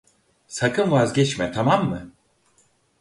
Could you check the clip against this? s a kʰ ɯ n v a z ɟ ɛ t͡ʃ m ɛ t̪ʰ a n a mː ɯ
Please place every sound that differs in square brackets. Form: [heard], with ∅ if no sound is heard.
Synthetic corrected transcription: s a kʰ ɯ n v a z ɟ ɛ t͡ʃ m ɛ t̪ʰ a [m] a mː ɯ

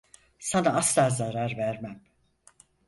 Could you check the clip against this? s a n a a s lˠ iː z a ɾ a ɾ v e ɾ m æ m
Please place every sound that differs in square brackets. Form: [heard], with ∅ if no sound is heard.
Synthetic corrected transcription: s a n a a s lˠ [aː] z a ɾ a ɾ v [æ] ɾ m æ m

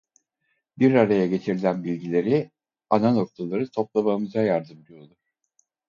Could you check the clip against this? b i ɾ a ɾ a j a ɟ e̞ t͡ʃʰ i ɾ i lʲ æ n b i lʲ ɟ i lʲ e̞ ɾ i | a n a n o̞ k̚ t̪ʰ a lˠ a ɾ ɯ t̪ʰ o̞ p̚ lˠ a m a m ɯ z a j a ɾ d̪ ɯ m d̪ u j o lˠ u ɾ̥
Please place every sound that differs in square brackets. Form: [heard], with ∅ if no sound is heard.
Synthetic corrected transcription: b i ɾ a ɾ a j a ɟ e̞ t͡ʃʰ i ɾ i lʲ æ n b i lʲ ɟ i lʲ e̞ ɾ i | a n a n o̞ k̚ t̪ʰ a lˠ a ɾ ɯ t̪ʰ o̞ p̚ lˠ a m a m ɯ z a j a ɾ d̪ ɯ m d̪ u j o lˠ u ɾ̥

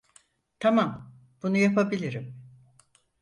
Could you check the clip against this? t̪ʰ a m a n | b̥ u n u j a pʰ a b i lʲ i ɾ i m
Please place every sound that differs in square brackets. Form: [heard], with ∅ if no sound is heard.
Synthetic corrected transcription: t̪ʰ a m a [m] | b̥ u n u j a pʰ a b i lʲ i ɾ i m

